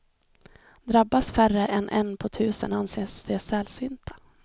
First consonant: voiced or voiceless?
voiced